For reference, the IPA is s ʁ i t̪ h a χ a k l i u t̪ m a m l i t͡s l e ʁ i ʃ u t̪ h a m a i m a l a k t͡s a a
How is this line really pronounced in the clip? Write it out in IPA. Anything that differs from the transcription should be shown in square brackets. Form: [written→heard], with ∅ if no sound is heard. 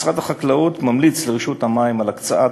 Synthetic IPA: s ʁ [i→a] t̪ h a χ a k l [i→a] u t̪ m a m l i t͡s l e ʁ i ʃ u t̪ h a m a i m a l a k t͡s a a